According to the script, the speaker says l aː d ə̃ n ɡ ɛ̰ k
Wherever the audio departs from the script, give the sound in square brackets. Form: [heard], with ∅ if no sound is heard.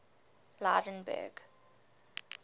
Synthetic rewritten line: l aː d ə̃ n [b] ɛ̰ [ɡ]